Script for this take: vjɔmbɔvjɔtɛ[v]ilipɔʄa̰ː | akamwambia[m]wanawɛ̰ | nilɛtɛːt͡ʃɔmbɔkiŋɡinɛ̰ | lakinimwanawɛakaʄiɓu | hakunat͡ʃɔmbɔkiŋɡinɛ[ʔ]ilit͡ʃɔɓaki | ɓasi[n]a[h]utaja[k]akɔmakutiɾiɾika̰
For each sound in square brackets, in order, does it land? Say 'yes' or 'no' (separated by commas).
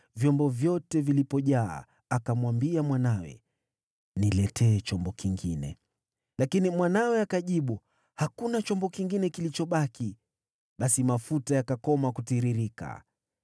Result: yes, yes, no, no, no, yes